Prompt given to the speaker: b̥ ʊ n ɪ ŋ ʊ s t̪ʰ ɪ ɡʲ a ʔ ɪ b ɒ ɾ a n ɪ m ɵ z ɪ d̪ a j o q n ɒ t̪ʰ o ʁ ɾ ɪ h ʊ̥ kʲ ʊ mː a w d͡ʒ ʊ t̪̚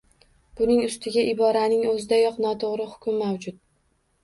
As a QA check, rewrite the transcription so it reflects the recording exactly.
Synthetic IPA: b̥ ʊ n ɪ ŋ ʊ s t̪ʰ ɪ ɡʲ a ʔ ɪ b ɒ ɾ a n ɪ ŋ ɵ z ɪ d̪ a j ɒ q n ɒ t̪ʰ o ʁ ɾ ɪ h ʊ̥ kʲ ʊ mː a w d͡ʒ ʊ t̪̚